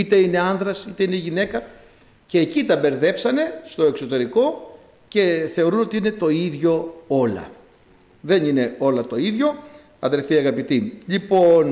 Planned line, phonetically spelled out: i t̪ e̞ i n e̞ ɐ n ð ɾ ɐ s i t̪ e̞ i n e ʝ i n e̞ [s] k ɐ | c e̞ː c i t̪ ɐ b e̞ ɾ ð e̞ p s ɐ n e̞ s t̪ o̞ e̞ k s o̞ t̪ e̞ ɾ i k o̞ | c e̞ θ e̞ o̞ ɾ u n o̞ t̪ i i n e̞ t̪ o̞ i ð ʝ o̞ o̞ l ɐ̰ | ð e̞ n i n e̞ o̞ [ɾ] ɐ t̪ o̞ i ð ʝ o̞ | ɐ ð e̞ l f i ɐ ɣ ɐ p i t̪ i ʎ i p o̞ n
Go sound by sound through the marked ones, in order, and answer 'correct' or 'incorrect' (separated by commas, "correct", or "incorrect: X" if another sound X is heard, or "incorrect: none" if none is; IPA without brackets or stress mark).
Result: incorrect: none, incorrect: l